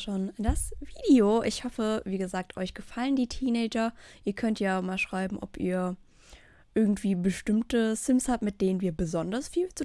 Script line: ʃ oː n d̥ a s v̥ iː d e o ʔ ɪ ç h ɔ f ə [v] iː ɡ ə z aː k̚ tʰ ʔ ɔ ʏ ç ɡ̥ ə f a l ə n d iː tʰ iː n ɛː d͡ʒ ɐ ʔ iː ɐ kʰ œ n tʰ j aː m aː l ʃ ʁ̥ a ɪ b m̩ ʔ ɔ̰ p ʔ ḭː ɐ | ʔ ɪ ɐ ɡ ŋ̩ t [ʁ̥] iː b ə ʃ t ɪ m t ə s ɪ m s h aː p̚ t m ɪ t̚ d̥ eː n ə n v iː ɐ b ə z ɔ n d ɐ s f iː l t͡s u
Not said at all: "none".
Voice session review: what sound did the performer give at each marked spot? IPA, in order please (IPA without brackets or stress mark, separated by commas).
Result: v, v̥